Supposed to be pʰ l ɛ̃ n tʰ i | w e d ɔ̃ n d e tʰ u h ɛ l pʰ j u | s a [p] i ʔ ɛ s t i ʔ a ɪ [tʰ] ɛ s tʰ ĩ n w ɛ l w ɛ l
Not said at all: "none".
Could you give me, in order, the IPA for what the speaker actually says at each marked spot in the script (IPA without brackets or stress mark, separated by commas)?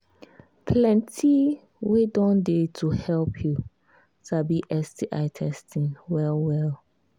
b, tʰ